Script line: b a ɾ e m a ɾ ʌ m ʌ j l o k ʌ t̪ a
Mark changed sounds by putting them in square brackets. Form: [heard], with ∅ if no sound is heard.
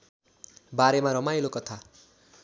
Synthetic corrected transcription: b a ɾ e m a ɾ ʌ m [a] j l o k ʌ [t̪ʰ] a